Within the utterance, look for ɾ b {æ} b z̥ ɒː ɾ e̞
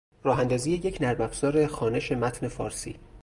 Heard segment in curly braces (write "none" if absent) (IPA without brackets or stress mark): æ